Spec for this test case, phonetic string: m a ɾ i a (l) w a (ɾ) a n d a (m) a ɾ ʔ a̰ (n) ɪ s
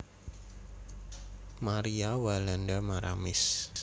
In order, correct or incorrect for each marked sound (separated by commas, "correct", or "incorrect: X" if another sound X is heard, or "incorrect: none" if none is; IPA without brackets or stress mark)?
incorrect: none, incorrect: l, correct, incorrect: m